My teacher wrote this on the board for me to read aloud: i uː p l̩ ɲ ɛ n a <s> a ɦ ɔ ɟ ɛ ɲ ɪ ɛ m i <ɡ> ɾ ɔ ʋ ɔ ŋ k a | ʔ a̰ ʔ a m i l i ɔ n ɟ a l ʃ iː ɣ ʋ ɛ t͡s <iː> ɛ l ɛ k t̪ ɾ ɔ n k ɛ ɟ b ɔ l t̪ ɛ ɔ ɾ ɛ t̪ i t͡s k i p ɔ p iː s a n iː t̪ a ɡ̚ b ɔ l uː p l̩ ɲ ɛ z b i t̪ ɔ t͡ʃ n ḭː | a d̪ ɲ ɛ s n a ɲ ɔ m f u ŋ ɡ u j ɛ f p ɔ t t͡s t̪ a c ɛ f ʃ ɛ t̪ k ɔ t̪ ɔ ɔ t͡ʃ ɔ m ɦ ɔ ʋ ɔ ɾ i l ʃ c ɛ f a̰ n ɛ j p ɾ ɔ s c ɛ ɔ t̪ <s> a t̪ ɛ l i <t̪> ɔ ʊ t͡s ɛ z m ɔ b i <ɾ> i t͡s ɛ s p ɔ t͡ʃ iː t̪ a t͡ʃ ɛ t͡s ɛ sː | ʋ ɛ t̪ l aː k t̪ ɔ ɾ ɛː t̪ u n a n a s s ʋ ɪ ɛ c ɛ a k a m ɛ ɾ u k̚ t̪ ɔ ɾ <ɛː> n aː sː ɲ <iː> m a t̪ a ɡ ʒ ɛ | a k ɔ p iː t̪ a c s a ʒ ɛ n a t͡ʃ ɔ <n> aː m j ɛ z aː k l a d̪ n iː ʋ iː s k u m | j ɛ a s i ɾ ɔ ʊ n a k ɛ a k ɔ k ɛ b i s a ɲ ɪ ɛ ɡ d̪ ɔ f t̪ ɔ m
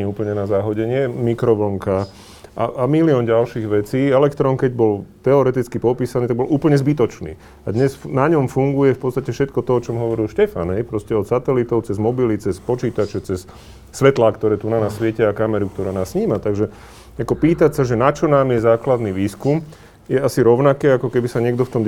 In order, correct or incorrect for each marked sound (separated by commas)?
incorrect, incorrect, correct, correct, correct, incorrect, incorrect, correct, correct